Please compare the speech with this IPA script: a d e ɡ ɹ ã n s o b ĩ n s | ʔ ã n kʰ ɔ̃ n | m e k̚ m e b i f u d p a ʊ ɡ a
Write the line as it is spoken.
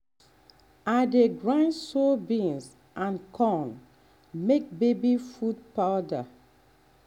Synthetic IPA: a d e ɡ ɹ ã n s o b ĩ n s | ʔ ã n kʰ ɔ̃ n | m e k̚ b e b i f u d p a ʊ d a